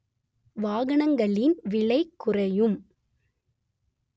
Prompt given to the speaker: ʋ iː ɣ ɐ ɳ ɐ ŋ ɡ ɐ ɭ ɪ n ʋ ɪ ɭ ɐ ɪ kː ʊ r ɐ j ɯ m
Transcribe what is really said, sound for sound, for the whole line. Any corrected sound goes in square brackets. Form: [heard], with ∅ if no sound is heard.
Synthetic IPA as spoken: ʋ [aː] ɣ ɐ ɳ ɐ ŋ ɡ ɐ ɭ ɪ n ʋ ɪ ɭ ɐ ɪ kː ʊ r ɐ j ɯ m